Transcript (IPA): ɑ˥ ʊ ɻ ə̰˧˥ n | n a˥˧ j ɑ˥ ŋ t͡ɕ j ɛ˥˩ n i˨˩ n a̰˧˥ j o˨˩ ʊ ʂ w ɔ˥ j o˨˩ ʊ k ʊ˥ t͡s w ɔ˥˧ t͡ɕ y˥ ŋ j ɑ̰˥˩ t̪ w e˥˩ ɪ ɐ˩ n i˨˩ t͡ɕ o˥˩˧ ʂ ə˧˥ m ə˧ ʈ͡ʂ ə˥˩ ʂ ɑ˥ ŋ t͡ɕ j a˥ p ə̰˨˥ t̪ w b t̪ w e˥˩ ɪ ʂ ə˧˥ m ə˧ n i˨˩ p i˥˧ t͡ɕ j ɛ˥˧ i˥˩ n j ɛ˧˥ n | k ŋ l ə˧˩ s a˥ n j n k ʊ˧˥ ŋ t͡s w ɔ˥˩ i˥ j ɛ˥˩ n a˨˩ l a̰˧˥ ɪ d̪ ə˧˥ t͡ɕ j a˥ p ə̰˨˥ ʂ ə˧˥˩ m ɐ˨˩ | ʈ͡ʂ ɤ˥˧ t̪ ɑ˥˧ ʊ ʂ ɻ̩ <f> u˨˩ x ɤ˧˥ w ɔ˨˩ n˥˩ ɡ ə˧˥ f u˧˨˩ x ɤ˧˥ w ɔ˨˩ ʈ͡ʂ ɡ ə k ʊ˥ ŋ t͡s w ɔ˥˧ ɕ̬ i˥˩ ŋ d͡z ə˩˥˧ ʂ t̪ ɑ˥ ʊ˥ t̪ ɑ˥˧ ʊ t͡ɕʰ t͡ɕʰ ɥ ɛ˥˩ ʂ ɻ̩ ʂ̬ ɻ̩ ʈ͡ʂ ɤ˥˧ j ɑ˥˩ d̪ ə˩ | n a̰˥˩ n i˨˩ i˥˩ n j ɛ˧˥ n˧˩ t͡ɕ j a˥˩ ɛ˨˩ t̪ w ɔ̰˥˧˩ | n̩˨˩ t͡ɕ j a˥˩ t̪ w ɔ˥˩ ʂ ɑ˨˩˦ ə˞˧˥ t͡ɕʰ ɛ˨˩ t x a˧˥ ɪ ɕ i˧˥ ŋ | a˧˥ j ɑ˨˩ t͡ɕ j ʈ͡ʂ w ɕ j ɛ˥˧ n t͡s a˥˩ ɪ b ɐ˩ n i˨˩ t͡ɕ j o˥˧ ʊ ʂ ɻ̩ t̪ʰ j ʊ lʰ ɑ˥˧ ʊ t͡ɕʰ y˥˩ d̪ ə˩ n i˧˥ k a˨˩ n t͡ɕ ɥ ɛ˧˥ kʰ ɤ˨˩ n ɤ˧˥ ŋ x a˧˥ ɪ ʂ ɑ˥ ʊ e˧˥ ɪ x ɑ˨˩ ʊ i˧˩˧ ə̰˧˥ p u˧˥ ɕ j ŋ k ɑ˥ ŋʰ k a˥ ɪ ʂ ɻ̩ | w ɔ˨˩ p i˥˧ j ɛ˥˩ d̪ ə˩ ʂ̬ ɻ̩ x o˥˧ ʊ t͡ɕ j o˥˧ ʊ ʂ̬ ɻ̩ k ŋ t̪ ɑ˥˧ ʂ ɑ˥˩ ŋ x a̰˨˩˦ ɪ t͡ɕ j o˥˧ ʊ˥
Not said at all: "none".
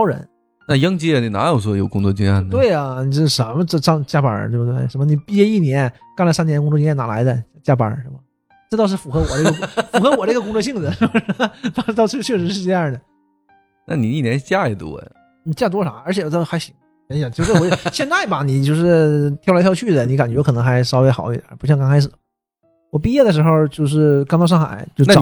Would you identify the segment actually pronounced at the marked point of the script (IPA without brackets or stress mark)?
f